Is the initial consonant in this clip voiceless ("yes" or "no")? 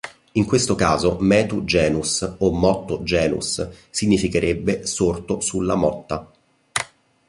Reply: no